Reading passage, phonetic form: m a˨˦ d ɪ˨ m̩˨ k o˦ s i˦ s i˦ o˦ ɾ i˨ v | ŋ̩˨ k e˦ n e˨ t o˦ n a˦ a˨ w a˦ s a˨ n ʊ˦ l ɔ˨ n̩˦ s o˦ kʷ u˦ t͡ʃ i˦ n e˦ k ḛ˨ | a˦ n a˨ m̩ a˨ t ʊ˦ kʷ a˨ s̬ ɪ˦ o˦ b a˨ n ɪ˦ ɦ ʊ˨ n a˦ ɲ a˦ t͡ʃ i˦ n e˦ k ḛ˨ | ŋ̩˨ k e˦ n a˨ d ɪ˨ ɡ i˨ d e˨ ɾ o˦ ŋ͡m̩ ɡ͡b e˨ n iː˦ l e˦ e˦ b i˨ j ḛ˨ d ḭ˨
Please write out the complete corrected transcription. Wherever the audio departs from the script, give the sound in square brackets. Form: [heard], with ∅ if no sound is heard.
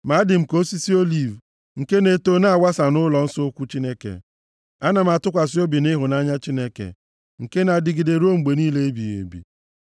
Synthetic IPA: m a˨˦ d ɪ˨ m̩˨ k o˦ s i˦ s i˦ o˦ [l] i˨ v | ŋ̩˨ k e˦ n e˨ t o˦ n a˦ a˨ w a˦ s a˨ n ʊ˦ l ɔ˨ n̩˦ s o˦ kʷ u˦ t͡ʃ i˦ n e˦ k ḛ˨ | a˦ n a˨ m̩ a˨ t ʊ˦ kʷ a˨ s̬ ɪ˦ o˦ b [i˨] n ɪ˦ ɦ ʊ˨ n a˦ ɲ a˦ t͡ʃ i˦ n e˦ k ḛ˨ | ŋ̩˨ k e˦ n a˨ d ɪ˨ ɡ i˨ d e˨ ɾ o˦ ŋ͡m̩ ɡ͡b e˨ n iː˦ l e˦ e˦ b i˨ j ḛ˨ [b] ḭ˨